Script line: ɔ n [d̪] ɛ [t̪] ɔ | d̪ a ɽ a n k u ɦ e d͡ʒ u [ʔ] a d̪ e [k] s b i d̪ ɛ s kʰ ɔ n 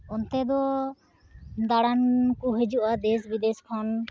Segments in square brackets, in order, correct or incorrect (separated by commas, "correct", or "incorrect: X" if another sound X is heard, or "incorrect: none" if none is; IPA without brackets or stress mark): incorrect: t̪, incorrect: d̪, correct, incorrect: none